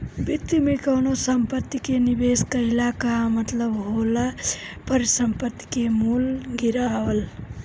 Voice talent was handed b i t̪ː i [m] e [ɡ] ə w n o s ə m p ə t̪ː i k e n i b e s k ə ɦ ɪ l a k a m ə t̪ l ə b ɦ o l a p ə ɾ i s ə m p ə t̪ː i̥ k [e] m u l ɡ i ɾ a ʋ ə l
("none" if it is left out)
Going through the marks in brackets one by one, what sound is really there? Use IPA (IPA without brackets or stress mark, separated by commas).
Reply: m, k, e